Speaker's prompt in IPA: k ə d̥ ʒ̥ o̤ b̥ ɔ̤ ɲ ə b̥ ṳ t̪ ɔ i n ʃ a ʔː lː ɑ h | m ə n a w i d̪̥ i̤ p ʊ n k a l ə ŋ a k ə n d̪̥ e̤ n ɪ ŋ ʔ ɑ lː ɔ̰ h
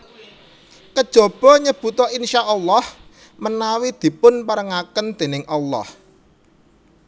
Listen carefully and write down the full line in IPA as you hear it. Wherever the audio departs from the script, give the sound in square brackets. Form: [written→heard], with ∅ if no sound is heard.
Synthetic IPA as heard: k ə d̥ ʒ̥ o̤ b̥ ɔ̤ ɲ ə b̥ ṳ t̪ ɔ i n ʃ a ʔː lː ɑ h | m ə n a w i d̪̥ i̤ p ʊ n [k→p] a [l→ɾ] ə ŋ a k ə n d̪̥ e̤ n ɪ ŋ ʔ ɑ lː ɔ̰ h